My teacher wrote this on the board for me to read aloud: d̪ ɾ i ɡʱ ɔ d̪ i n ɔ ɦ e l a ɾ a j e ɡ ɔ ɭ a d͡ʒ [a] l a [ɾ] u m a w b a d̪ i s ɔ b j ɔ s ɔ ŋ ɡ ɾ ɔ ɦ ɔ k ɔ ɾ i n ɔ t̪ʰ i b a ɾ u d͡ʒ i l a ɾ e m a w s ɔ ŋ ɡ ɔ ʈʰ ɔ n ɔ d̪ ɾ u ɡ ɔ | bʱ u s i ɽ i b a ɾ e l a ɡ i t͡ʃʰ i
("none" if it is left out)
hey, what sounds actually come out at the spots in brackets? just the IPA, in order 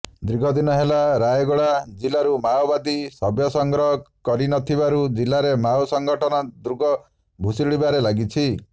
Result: i, ɾ

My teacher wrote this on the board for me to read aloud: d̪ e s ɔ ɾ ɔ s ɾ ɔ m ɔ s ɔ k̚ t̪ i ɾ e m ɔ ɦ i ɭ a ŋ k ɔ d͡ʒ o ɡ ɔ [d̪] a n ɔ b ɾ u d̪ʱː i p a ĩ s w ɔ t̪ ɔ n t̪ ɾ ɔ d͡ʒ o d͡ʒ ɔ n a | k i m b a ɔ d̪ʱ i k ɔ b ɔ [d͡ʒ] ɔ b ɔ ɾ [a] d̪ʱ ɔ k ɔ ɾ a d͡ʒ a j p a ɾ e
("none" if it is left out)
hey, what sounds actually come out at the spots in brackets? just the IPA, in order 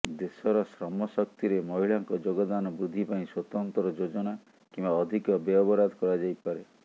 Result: d̪, none, a

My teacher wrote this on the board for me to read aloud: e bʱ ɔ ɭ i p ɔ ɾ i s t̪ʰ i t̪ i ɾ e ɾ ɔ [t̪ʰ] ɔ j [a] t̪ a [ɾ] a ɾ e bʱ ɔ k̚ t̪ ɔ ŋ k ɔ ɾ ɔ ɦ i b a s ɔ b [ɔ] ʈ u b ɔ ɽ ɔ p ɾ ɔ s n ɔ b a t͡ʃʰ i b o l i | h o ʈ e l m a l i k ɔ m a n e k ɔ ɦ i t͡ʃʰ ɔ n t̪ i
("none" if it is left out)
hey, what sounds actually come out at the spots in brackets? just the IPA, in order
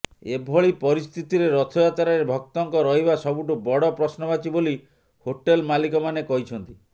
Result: t̪ʰ, a, ɾ, u

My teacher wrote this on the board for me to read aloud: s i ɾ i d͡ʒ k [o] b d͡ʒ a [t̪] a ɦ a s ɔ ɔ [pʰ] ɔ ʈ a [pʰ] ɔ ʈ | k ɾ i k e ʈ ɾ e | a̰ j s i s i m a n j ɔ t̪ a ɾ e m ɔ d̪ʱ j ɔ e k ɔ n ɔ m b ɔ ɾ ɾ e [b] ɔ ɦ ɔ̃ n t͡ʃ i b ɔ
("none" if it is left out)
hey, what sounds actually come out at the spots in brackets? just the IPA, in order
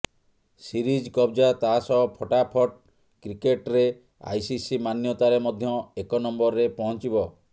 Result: ɔ, t̪, pʰ, pʰ, p

